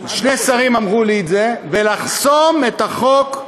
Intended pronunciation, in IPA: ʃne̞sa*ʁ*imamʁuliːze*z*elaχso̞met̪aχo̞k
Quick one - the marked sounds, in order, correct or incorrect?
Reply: correct, incorrect: v

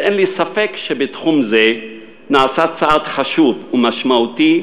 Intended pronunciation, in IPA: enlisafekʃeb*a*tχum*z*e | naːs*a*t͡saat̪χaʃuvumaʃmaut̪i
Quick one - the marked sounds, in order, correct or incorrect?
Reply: incorrect: e, correct, correct

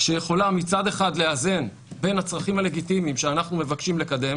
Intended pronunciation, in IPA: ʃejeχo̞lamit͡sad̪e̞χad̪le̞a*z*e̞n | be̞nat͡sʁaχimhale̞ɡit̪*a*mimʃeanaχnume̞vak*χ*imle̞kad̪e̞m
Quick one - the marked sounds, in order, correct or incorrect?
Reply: correct, incorrect: i, incorrect: ʃ

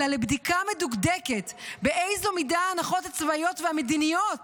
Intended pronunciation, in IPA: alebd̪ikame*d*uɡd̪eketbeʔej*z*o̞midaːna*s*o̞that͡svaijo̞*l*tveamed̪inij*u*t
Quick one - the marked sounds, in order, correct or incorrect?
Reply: correct, correct, incorrect: χ, incorrect: none, incorrect: o

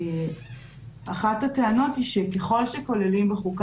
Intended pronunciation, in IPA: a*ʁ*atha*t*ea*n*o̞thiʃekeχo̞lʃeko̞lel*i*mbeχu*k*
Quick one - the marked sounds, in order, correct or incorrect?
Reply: incorrect: χ, correct, correct, correct, correct

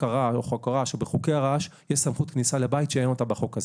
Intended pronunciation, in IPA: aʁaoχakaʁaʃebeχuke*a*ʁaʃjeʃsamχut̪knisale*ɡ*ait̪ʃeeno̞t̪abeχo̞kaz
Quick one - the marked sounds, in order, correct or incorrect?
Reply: correct, incorrect: b

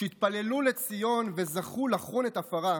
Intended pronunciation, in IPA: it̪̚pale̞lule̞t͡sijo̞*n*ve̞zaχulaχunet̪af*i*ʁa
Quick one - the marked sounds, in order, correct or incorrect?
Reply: correct, incorrect: a

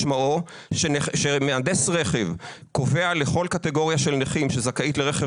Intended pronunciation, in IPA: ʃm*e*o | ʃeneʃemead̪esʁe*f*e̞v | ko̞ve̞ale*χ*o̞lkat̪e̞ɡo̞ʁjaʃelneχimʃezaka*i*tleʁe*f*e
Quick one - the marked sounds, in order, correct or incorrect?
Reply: incorrect: a, incorrect: χ, correct, correct, incorrect: χ

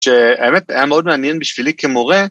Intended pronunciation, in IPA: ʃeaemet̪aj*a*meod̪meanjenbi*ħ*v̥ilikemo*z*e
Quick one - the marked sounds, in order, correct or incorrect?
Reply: correct, incorrect: ʃ, incorrect: ʁ

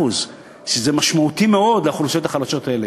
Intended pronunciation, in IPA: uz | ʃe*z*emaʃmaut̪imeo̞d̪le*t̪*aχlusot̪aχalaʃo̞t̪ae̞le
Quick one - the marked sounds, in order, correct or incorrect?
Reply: correct, incorrect: none

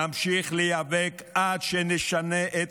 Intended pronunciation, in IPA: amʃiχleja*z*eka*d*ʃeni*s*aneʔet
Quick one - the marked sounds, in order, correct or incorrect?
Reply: incorrect: v, correct, incorrect: ʃ

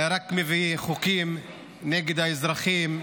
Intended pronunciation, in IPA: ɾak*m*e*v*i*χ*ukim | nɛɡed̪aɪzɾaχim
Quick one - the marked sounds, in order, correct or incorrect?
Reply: correct, correct, correct

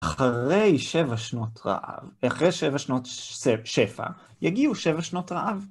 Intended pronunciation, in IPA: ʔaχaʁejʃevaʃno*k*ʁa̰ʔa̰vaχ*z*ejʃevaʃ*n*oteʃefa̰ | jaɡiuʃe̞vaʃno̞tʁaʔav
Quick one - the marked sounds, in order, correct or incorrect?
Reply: incorrect: t, incorrect: ʁ, correct

